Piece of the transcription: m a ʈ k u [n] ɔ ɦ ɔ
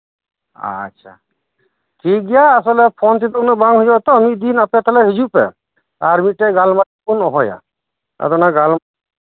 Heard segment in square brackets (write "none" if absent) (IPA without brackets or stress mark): n